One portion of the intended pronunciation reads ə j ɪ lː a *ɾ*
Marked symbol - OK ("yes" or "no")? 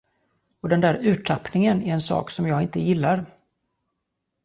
yes